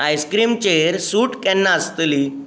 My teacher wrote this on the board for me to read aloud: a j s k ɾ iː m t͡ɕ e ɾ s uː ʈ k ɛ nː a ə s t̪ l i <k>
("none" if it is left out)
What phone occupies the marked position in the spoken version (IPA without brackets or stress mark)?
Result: none